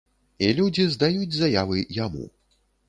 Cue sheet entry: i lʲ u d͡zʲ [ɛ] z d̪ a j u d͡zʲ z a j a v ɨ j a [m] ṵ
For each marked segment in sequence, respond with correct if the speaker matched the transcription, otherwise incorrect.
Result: incorrect, correct

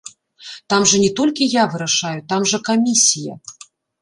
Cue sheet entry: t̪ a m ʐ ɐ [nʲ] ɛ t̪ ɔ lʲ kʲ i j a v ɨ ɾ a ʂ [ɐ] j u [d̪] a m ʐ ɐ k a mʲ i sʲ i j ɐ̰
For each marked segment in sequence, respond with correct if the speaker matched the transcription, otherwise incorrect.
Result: correct, incorrect, incorrect

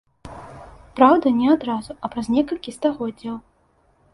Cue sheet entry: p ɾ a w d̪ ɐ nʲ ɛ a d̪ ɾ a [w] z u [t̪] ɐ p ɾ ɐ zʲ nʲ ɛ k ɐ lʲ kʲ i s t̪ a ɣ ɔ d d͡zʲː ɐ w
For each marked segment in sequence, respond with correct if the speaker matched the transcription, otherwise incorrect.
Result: incorrect, incorrect

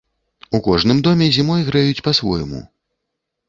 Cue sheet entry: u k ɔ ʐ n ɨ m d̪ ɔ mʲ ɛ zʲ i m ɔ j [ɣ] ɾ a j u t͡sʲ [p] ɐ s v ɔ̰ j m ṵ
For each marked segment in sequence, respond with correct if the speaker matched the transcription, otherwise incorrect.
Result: correct, correct

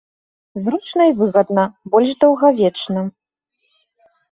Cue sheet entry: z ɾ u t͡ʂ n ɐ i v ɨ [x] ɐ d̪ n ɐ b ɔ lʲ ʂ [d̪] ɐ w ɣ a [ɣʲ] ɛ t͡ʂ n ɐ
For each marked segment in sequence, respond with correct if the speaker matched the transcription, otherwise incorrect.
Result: incorrect, correct, incorrect

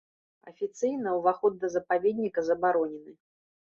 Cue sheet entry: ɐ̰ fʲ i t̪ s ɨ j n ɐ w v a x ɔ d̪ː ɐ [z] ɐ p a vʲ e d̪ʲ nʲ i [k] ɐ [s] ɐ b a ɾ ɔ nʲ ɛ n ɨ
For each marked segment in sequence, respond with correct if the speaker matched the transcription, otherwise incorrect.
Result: correct, correct, incorrect

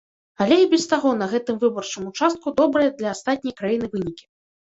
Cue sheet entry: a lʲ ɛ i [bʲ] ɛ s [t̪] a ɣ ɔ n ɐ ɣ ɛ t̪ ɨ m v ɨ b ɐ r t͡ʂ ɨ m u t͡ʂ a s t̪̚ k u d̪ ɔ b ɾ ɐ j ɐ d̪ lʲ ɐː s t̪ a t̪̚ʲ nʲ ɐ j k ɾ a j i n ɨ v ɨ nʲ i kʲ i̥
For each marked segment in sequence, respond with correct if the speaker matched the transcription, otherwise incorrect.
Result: correct, correct

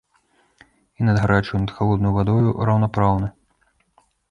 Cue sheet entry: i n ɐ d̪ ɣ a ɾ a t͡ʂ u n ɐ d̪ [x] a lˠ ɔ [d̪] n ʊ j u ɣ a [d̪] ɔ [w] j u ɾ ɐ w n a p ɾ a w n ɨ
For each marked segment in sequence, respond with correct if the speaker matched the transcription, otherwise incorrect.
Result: correct, correct, correct, incorrect

